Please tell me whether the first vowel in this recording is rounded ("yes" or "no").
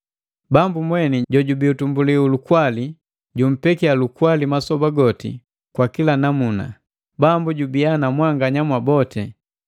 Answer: no